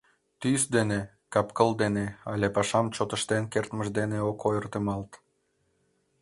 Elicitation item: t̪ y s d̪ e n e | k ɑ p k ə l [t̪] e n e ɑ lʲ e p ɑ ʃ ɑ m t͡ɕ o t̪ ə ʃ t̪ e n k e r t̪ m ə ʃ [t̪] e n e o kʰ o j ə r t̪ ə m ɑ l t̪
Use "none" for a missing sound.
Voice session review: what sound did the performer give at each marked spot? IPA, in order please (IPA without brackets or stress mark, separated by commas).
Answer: d̪, d̪